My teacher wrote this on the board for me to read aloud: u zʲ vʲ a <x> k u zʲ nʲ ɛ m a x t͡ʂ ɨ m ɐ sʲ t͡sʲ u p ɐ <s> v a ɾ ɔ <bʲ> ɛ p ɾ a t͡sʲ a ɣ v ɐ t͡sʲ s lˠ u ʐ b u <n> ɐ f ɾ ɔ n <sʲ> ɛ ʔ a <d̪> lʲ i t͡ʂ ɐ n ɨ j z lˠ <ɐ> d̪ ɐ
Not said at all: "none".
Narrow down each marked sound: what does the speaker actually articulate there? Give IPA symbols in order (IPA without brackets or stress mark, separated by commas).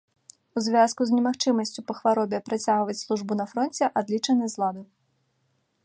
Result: s, x, bʲ, n, t͡sʲ, d̪, a